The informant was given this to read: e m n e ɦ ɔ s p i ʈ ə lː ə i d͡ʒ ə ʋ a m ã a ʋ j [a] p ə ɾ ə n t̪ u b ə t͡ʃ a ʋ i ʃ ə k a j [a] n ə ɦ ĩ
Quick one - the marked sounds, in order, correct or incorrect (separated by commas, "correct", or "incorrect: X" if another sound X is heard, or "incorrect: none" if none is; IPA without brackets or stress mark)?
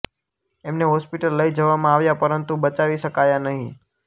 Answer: correct, correct